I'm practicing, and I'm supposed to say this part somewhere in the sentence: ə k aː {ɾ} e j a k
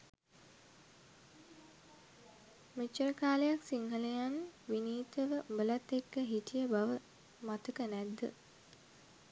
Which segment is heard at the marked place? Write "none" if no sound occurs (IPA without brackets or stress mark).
l